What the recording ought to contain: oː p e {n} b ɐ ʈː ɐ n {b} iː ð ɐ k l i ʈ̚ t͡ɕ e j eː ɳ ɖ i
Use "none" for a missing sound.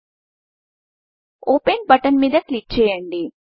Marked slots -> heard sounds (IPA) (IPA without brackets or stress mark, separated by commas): n, m